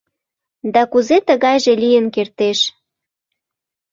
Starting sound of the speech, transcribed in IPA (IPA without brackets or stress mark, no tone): d̪